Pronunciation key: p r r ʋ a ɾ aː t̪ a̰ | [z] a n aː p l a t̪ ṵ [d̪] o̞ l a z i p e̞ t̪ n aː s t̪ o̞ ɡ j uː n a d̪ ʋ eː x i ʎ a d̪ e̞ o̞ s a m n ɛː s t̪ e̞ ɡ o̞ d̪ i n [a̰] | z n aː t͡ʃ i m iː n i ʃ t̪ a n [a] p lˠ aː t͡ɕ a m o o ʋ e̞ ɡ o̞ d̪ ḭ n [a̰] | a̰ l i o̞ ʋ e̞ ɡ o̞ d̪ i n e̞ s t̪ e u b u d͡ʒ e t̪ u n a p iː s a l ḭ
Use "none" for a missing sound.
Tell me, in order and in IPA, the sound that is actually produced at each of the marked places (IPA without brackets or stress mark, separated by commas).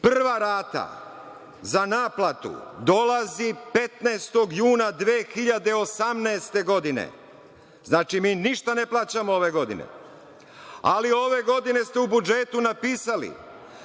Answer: z, d̪, ḛ, e, ḛ